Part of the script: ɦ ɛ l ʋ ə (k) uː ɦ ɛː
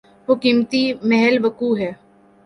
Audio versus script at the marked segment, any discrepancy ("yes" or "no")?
no